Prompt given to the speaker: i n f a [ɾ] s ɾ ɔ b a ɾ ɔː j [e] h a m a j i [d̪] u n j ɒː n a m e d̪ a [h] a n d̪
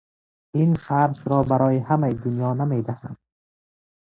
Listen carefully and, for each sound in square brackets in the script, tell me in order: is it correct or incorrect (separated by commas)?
correct, incorrect, correct, correct